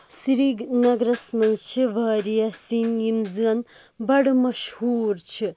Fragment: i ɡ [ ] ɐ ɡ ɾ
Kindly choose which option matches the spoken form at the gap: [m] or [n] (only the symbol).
n